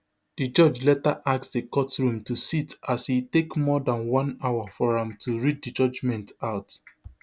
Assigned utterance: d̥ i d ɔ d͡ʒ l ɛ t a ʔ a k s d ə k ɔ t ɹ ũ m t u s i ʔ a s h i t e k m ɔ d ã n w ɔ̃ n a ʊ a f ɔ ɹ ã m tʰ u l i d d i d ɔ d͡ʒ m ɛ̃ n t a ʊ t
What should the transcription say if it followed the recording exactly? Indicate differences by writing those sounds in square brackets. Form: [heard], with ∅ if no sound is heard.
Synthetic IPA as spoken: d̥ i [d͡ʒ] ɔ d͡ʒ l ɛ t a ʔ a k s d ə k ɔ t ɹ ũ m t u s i [t] a s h i t e k m ɔ d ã n w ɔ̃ n a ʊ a f ɔ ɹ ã m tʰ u [ɹ] i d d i [d͡ʒ] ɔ d͡ʒ m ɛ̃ n t a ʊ t